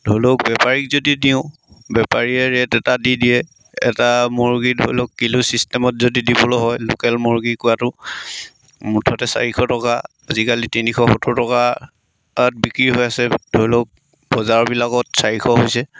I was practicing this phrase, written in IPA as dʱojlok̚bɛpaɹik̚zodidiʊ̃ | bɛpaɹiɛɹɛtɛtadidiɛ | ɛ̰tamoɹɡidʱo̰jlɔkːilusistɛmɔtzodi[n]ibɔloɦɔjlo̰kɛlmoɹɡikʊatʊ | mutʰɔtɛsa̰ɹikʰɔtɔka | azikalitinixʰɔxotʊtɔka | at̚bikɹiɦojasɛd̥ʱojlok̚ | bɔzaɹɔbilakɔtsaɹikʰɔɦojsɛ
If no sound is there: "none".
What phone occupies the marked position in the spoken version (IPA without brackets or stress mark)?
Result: d